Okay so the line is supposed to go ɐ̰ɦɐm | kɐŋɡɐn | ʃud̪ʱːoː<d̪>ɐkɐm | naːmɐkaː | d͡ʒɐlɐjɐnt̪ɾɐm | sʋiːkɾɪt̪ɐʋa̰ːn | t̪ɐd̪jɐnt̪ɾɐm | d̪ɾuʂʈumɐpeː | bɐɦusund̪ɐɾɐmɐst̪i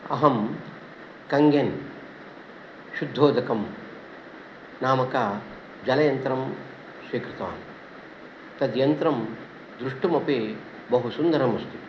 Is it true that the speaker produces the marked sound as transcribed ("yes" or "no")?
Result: yes